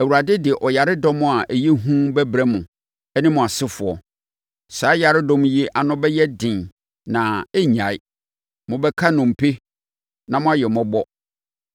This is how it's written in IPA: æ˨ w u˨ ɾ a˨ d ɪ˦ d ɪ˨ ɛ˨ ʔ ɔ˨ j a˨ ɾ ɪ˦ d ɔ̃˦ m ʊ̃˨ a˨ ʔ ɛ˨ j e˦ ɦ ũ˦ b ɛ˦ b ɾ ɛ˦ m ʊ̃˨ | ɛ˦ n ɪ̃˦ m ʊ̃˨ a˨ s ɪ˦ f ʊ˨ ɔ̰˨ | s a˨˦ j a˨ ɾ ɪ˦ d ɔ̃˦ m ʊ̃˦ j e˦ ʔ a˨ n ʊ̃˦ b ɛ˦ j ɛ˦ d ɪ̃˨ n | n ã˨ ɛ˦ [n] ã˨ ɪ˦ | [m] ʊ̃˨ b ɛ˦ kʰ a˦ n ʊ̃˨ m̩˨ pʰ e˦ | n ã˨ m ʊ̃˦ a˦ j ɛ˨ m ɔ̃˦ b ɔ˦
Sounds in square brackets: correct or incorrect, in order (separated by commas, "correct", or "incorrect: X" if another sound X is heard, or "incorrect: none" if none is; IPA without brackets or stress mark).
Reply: incorrect: ɲ, correct